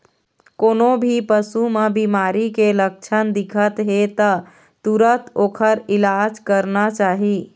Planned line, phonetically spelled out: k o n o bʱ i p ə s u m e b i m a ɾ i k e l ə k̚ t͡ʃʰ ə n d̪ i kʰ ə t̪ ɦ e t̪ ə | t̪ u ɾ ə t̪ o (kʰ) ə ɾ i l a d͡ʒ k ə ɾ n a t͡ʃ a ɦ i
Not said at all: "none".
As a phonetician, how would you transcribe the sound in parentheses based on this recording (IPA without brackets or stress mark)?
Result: kʰ